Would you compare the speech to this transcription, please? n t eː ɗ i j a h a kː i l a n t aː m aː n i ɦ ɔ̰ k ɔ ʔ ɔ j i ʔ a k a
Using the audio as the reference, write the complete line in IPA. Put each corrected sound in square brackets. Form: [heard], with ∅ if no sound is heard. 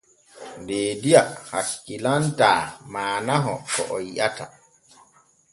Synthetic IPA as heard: n [d] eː [d] i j a h a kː i l a n t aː m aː n [a] ɦ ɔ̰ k ɔ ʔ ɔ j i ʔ a [t] a